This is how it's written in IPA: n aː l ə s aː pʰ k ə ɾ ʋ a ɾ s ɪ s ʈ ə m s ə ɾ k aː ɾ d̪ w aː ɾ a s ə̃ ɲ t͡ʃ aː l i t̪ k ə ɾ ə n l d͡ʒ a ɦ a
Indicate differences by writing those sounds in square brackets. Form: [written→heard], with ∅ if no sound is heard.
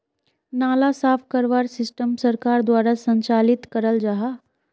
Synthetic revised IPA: n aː l [ə→a] s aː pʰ k ə ɾ ʋ a ɾ s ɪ s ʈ ə m s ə ɾ k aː ɾ d̪ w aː ɾ a s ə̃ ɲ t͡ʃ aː l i t̪ k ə ɾ ə [n→∅] l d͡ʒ a ɦ a